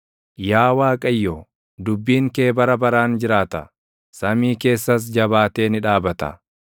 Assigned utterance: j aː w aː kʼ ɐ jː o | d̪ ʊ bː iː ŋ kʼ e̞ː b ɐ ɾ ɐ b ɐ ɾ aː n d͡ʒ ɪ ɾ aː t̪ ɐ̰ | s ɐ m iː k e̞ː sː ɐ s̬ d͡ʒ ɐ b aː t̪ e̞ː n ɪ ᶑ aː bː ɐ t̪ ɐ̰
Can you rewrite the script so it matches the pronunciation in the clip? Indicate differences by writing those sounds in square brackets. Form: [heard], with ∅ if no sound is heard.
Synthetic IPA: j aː w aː kʼ ɐ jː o | d̪ ʊ bː iː ŋ [k] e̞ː b ɐ ɾ ɐ b ɐ ɾ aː n d͡ʒ ɪ ɾ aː t̪ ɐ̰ | s ɐ m iː k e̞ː sː ɐ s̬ d͡ʒ ɐ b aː t̪ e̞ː n ɪ ᶑ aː [b] ɐ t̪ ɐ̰